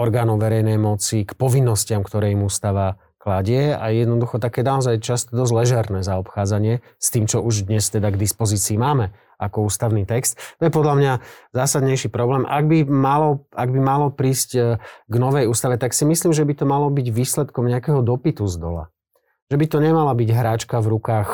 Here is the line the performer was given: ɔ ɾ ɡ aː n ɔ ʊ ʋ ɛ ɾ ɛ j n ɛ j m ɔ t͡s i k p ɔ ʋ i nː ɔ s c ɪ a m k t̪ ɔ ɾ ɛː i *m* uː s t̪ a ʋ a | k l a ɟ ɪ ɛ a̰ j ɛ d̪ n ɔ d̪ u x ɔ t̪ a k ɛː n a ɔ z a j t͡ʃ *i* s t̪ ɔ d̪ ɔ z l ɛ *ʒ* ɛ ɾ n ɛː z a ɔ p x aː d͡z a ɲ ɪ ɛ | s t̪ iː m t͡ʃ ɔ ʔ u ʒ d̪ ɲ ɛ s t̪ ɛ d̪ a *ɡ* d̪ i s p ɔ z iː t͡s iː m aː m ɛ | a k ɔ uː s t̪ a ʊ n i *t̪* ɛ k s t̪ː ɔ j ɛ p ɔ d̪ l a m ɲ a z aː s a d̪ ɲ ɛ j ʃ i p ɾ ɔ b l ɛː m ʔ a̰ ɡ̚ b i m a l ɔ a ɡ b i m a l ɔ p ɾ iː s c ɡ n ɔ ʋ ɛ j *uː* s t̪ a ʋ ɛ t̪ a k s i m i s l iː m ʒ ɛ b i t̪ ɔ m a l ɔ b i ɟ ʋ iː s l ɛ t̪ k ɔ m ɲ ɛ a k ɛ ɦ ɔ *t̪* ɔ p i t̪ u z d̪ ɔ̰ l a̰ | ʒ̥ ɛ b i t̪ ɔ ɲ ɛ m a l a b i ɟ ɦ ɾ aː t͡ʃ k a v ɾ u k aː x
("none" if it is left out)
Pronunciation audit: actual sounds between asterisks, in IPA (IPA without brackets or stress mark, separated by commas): m, a, ʒ, ɡ, t̪, uː, d̪